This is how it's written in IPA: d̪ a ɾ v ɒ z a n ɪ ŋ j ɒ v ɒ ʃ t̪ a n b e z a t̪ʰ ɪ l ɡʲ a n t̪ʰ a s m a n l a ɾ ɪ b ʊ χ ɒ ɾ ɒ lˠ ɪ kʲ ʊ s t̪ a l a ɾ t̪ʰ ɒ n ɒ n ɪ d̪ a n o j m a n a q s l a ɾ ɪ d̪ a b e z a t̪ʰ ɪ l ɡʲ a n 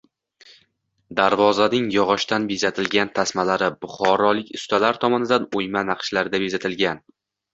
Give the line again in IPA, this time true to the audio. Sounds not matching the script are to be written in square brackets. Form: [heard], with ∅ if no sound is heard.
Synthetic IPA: d̪ a ɾ v ɒ z a n ɪ ŋ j ɒ [ʁ] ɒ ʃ t̪ a n b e z a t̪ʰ ɪ l ɡʲ a n t̪ʰ a s m a [∅] l a ɾ ɪ b ʊ χ ɒ ɾ ɒ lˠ ɪ kʲ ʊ s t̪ a l a ɾ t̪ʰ ɒ [m] ɒ n ɪ d̪ a n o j m a n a q [ʃ] l a ɾ ɪ d̪ a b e z a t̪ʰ ɪ l ɡʲ a n